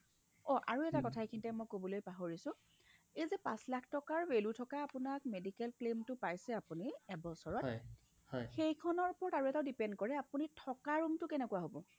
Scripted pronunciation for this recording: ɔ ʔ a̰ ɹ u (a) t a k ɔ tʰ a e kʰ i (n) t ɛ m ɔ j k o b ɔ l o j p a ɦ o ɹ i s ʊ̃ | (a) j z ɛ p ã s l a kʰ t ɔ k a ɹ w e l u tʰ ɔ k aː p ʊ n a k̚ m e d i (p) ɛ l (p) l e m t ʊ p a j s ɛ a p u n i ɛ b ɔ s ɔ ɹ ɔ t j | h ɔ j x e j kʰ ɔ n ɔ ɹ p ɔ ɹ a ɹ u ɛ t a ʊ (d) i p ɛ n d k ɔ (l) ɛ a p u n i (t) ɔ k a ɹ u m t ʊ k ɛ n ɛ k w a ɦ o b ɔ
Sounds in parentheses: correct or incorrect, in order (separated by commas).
incorrect, correct, incorrect, incorrect, incorrect, correct, incorrect, incorrect